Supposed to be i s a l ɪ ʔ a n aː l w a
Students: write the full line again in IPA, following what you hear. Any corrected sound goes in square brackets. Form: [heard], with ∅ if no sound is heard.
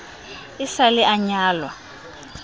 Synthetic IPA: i s a l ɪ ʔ a [ɲ] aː l w a